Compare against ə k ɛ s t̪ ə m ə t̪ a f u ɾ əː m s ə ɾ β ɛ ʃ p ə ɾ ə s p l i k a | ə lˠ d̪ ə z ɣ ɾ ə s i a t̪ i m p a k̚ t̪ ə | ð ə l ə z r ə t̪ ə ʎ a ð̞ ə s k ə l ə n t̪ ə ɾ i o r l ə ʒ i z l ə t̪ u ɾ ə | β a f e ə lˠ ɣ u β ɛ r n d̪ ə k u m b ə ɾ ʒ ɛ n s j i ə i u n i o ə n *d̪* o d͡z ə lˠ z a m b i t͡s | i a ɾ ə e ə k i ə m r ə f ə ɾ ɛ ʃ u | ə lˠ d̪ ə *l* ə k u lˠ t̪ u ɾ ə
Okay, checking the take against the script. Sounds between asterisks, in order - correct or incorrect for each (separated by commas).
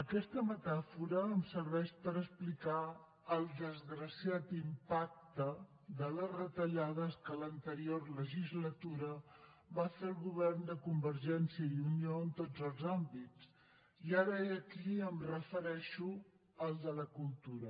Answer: incorrect, correct